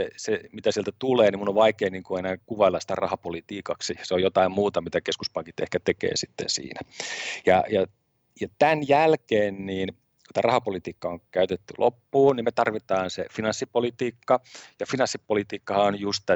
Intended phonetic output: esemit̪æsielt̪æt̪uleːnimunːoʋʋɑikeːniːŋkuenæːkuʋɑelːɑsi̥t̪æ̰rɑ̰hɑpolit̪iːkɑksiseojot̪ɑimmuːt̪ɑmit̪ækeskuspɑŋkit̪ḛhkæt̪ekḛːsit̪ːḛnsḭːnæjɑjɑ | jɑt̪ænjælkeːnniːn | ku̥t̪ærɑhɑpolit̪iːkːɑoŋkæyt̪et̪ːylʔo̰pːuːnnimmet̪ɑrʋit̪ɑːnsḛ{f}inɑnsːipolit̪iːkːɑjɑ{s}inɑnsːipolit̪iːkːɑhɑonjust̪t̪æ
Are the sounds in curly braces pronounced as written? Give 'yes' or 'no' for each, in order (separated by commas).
yes, no